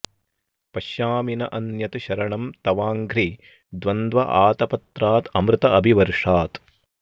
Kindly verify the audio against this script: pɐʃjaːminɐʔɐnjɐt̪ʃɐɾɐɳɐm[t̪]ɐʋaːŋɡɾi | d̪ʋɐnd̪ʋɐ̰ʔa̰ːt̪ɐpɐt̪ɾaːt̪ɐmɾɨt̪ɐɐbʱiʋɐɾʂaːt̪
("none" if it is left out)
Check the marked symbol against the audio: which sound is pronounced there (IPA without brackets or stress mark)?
t̪